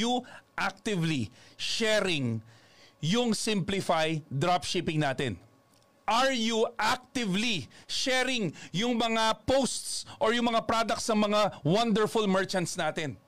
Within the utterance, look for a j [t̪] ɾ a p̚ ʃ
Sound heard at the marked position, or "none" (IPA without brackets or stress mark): d̪